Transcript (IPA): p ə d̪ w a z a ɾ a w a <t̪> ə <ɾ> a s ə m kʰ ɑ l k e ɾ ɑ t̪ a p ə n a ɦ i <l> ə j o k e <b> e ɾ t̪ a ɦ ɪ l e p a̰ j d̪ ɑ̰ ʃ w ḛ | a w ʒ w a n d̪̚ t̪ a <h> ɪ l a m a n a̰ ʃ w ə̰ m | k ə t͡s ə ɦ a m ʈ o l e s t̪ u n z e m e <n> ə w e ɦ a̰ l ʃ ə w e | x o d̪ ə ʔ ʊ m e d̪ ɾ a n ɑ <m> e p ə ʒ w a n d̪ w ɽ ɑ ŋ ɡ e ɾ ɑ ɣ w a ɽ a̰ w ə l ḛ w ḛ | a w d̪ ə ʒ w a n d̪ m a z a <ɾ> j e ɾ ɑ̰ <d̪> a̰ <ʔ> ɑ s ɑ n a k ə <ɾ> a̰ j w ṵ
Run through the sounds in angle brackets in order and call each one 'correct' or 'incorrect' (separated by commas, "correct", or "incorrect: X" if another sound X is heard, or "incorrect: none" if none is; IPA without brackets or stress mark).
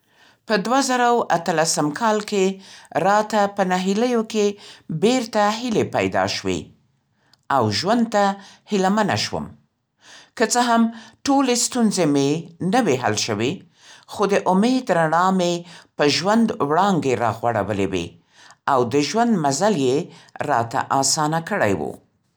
correct, incorrect: l, correct, correct, correct, correct, correct, incorrect: l, incorrect: t̪, correct, incorrect: ɽ